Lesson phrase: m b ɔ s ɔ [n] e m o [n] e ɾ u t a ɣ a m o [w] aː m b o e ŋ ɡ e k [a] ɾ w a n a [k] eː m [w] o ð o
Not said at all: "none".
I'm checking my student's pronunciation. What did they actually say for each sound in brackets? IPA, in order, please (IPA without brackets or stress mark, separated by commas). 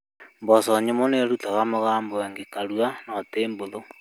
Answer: ɲ, n, ɣ, a, t, b